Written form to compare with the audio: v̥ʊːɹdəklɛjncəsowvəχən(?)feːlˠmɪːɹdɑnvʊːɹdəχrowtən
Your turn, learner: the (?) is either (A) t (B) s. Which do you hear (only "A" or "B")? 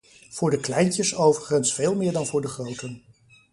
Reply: B